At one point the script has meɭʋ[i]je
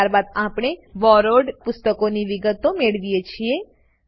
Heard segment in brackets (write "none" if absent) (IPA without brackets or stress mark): i